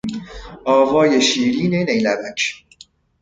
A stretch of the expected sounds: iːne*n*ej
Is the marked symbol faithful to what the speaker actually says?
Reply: yes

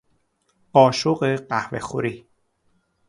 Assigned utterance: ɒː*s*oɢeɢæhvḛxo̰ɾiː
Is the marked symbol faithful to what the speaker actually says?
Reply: no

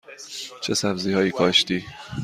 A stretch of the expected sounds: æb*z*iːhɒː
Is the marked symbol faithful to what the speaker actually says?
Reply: yes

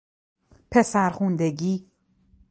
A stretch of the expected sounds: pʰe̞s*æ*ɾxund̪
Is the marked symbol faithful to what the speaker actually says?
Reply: yes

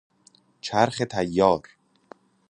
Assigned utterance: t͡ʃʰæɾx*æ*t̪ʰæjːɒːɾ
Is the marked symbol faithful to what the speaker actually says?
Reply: no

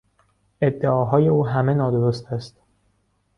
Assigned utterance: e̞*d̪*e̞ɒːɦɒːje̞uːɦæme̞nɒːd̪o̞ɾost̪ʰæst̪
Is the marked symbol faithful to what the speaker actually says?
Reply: no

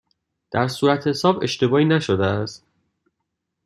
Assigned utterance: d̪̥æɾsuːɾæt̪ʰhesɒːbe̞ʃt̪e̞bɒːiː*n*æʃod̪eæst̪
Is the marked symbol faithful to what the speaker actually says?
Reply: yes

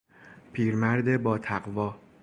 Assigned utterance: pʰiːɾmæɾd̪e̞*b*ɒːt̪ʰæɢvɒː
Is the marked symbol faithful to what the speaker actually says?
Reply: yes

